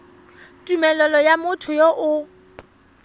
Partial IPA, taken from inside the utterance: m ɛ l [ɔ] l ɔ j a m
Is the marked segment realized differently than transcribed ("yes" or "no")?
no